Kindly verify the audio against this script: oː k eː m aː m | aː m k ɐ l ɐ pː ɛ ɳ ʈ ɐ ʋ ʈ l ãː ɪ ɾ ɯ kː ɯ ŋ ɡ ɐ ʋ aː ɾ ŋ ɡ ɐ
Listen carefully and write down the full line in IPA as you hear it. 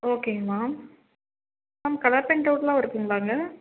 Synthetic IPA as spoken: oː k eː m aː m | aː m k ɐ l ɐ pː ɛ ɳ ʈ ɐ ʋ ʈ l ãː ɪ ɾ ɯ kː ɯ ŋ ɡ ɐ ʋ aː ŋ ɡ ɐ

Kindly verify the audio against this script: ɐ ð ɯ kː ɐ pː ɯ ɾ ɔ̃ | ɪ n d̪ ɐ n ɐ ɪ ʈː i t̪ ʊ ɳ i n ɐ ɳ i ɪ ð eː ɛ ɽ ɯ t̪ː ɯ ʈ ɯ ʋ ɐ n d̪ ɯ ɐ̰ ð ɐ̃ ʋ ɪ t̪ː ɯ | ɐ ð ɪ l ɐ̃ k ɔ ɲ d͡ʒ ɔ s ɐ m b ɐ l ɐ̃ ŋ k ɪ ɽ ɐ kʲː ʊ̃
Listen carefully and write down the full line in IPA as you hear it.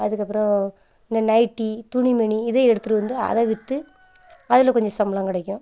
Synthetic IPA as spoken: ɐ ð ɯ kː ɐ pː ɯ ɾ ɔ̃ | ɪ n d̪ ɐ n ɐ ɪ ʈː i t̪ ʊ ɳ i m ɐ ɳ i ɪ ð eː ɛ ɽ ɯ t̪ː ɯ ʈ ɯ ʋ ɐ n d̪ ɯ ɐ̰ ð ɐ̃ ʋ ɪ t̪ː ɯ | ɐ ð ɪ l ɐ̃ k ɔ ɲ d͡ʒ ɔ s ɐ m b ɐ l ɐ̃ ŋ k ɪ ɽ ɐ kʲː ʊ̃

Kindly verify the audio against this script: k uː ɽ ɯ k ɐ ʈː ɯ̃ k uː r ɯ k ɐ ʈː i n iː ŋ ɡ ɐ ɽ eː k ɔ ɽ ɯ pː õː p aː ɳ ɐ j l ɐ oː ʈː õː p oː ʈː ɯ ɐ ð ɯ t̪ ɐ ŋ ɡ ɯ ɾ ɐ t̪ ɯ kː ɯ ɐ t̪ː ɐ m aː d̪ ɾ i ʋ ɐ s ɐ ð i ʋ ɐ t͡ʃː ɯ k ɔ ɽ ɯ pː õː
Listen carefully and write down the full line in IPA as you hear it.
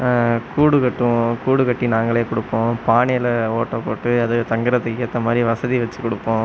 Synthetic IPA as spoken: k uː ɽ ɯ k ɐ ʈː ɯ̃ k uː ɽ ɯ k ɐ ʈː i n aː ŋ ɡ ɐ ɭ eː k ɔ ɽ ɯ pː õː p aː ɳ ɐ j l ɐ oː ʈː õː p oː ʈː ɯ ɐ ð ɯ t̪ ɐ ŋ ɡ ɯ ɾ ɐ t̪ ɯ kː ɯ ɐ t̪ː ɐ m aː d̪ ɾ i ʋ ɐ s ɐ ð i ʋ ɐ t͡ʃː ɯ k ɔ ɽ ɯ pː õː

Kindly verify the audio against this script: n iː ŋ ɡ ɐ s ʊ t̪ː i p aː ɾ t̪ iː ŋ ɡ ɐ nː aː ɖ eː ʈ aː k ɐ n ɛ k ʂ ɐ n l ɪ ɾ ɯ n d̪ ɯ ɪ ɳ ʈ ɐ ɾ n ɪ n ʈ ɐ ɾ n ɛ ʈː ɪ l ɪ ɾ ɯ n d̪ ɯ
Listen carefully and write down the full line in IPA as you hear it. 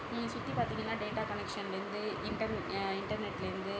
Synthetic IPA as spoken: n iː ŋ ɡ ɐ s ʊ t̪ː i p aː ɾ t̪ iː ŋ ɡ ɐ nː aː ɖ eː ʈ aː k ɐ n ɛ k ʂ ɐ n l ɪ ɾ ɯ n d̪ ɯ ɪ ɳ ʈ ɐ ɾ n ɪ ɳ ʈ ɐ ɾ n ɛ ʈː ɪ l ɪ ɾ ɯ n d̪ ɯ

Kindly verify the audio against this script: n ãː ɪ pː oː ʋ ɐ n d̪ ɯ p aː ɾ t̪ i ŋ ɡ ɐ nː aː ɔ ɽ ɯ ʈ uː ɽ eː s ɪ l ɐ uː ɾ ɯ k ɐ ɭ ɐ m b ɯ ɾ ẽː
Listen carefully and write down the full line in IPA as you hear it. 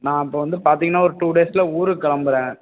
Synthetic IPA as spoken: n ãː ɪ pː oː ʋ ɐ n d̪ ɯ p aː ɾ t̪ i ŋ ɡ ɐ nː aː ɔ ɾ ɯ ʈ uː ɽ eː s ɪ l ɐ uː ɾ ɯ k ɐ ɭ ɐ m b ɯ ɾ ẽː

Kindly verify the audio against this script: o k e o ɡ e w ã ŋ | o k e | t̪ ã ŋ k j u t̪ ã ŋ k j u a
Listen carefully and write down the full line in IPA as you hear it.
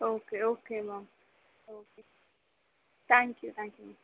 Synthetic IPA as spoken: o k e o k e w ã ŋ | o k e | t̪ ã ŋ k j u t̪ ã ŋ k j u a

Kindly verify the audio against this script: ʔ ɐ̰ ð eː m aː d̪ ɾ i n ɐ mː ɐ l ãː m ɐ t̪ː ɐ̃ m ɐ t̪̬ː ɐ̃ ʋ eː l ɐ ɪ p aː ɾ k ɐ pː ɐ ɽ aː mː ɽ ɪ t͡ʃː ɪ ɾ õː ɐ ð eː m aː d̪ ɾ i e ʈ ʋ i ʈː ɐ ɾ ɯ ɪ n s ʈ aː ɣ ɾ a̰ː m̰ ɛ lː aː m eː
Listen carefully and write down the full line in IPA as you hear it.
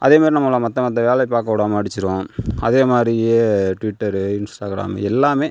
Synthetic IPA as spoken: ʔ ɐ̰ ð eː m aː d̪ ɾ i n ɐ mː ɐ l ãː m ɐ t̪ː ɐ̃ m ɐ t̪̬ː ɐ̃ ʋ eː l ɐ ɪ p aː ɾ k ɐ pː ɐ ɽ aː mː ɽ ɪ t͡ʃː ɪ ɾ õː ɐ ð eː m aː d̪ ɾ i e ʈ ʋ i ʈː ɐ ɾ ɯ ɪ n s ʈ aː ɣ ɾ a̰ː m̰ ɛ lː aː m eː

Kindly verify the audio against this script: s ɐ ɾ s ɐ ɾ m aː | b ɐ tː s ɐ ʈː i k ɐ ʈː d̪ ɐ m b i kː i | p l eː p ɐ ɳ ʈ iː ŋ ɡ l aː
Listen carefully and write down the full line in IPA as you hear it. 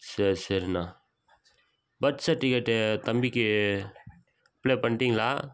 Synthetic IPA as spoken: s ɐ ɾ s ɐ ɾ n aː | b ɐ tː s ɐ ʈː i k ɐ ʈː t̪ ɐ m b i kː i | p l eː p ɐ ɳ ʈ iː ŋ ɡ l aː

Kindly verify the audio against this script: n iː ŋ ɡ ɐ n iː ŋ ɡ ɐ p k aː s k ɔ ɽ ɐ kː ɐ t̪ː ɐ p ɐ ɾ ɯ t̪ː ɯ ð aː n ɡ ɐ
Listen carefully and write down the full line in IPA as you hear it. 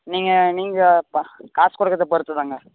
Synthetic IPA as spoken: n iː ŋ ɡ ɐ n iː ŋ ɡ ɐ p k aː s k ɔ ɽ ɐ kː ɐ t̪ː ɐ p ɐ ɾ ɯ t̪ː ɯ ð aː ŋ ɡ ɐ

